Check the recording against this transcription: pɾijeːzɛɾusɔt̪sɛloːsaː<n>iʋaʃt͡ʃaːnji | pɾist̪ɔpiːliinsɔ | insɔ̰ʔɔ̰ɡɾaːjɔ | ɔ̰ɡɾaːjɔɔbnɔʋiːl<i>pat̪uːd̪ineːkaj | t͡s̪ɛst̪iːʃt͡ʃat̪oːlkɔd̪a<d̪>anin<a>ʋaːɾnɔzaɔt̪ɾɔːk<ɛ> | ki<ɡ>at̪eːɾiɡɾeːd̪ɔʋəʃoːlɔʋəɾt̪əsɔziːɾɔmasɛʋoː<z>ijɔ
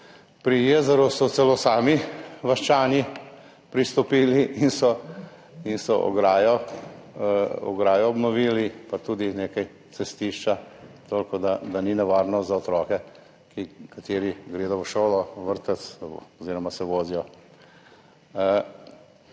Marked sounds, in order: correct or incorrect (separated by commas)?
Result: incorrect, correct, correct, incorrect, correct, incorrect, correct